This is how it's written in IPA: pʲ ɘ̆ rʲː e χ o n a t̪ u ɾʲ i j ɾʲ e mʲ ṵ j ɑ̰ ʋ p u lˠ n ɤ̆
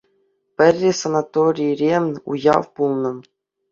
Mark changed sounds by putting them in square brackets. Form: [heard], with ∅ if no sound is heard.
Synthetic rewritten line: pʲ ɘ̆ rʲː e [s] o n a t̪ [o] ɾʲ i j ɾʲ e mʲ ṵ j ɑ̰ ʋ p u lˠ n ɤ̆

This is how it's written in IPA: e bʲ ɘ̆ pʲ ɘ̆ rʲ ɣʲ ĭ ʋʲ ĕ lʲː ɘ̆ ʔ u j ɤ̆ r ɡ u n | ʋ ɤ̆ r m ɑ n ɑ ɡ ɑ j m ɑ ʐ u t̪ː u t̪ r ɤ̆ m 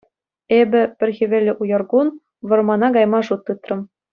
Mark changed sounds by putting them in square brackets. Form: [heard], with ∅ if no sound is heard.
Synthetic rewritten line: e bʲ ɘ̆ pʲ ɘ̆ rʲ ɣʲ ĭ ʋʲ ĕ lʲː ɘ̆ ʔ u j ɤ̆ r ɡ u n | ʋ ɤ̆ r m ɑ n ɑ ɡ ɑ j m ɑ ʐ u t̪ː [ɯ] t̪ r ɤ̆ m

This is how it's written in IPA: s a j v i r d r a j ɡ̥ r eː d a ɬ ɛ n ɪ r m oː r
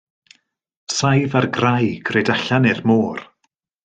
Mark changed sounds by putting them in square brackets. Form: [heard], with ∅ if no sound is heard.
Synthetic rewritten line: s a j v [a] r [ɡ] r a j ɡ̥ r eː d a ɬ [a] n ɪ r m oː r

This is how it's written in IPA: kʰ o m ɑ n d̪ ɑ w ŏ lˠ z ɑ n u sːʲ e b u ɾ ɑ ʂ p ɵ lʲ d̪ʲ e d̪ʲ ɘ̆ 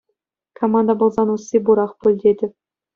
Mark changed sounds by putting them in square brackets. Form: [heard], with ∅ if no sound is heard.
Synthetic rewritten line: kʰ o m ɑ n d̪ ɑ [b] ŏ lˠ z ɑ n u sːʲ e b u ɾ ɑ [χ] p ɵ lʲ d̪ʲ e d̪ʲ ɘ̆

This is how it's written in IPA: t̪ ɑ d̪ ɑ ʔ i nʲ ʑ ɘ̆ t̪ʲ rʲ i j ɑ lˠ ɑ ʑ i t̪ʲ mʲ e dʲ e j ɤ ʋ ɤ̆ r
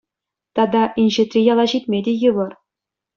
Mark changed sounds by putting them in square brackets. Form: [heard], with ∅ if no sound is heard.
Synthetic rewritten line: t̪ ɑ d̪ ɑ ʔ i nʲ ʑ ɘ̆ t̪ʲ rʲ i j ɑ lˠ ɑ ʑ i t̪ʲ mʲ e dʲ e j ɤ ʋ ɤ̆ r

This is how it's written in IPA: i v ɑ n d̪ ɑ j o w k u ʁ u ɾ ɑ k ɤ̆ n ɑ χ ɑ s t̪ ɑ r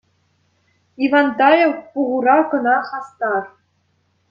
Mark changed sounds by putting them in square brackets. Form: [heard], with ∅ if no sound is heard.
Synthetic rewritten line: i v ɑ n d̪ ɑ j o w [p] u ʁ u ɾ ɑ k ɤ̆ n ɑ χ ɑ s t̪ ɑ r

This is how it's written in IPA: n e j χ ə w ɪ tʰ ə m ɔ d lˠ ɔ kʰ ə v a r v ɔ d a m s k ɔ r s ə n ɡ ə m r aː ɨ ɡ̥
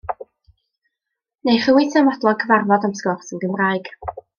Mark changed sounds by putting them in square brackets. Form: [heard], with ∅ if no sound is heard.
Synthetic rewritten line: n e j χ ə w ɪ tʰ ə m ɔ d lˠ ɔ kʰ ə v a r v ɔ d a m s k ɔ r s ə n ɡ ə m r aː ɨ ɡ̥

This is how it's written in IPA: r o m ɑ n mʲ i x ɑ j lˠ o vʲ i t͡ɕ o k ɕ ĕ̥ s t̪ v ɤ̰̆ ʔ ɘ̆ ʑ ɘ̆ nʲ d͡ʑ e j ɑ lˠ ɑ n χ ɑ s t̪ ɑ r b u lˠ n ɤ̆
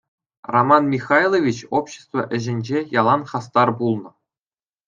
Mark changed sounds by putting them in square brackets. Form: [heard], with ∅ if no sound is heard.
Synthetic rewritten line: r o m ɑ n mʲ i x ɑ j lˠ o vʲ i t͡ɕ o [p] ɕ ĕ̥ s t̪ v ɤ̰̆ ʔ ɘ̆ ʑ ɘ̆ nʲ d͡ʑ e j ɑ lˠ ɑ n χ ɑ s t̪ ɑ r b u lˠ n ɤ̆

